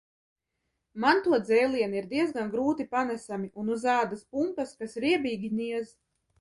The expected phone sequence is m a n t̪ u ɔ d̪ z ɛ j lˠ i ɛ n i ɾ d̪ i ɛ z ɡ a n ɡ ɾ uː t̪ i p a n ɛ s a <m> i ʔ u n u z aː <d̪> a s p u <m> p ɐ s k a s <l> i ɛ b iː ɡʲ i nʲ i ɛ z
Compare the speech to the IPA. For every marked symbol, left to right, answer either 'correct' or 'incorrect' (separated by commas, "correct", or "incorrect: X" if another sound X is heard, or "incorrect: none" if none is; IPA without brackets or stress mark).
correct, correct, correct, incorrect: ɾ